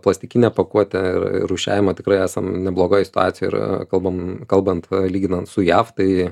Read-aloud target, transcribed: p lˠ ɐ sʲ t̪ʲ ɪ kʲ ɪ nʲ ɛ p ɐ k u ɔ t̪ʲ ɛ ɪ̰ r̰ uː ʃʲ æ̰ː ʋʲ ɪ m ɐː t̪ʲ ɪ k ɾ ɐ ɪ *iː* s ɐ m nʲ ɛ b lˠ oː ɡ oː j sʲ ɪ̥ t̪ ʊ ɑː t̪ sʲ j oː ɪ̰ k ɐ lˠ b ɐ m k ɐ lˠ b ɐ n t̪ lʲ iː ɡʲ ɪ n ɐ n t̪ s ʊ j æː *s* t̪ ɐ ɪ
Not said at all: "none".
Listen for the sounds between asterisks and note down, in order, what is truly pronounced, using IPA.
æː, f

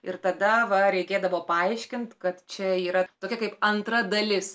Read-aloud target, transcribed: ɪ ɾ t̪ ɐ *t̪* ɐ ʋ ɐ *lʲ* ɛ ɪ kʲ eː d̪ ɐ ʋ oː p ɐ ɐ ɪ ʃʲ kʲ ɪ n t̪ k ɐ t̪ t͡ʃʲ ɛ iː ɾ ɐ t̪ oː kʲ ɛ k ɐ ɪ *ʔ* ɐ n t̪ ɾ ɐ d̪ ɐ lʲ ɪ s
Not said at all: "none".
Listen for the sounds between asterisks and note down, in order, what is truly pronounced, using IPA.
d̪, ɾʲ, p

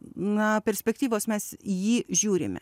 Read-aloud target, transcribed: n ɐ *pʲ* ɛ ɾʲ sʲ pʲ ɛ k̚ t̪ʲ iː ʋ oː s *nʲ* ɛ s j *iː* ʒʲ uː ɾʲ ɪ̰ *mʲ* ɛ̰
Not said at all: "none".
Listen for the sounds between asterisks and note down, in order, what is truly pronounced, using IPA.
pʲ, mʲ, iː, mʲ

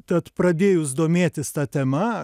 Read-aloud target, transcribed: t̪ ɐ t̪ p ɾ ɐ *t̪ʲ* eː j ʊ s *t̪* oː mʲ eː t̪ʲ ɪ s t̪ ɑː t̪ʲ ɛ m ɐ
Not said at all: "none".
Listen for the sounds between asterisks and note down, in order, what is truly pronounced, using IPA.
d̪ʲ, d̪

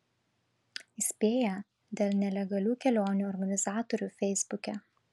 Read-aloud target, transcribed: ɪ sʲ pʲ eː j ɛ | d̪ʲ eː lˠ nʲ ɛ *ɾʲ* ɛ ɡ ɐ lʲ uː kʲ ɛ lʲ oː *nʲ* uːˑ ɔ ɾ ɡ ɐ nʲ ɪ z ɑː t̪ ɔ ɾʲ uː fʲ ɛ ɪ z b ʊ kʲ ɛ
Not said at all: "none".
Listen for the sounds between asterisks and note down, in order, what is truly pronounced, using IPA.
lʲ, nʲ

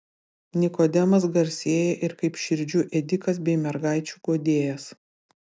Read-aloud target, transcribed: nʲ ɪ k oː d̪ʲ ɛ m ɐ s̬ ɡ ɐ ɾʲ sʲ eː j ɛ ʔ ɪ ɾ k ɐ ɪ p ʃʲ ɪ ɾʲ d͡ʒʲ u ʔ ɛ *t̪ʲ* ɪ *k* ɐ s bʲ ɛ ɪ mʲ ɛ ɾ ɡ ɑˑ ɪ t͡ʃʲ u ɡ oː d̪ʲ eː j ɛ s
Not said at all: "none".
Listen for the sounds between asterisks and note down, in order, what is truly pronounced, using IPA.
d̪ʲ, k

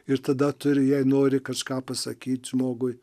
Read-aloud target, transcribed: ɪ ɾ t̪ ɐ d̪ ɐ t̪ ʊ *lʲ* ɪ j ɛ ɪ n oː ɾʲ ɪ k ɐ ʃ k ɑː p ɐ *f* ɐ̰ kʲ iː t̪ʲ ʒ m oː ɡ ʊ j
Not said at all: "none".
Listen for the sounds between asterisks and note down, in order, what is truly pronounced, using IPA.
ɾʲ, s

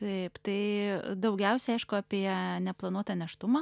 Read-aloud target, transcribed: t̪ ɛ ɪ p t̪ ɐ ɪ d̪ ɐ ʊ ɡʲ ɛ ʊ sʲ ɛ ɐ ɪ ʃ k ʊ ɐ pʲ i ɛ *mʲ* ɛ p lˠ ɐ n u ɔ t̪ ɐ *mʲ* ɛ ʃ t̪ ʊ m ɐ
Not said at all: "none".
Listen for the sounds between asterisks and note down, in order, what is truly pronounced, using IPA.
nʲ, nʲ

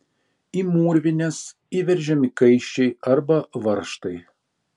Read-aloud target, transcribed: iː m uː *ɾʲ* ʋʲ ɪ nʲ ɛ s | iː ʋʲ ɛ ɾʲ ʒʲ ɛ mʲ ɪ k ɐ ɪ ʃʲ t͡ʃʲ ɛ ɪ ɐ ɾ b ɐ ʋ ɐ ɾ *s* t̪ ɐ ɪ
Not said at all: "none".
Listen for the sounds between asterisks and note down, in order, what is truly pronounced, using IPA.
ɾʲ, ʃ

